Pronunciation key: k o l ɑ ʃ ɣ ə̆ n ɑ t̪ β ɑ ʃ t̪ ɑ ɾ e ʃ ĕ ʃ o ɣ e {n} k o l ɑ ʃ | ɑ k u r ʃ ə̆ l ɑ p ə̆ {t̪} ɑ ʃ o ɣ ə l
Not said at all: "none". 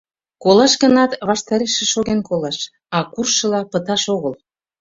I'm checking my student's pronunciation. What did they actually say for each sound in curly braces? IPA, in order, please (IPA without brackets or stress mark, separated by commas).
n, t̪